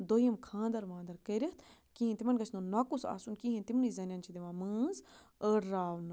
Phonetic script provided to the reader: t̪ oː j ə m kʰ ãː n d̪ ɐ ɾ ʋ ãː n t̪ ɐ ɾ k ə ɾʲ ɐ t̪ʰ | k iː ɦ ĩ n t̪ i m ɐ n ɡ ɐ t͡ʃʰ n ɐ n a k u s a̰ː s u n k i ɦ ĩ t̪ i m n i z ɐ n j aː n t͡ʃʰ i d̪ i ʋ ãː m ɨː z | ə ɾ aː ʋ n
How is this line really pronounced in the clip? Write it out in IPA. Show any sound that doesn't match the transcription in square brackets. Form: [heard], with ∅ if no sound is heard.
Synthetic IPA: [d̪] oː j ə m kʰ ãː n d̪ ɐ ɾ ʋ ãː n [d̪] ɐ ɾ k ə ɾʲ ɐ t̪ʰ | k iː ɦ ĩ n t̪ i m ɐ n ɡ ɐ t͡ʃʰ n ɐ n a k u s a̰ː s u n k i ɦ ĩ t̪ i m n i z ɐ n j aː n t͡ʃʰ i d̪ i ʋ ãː m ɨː z | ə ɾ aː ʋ n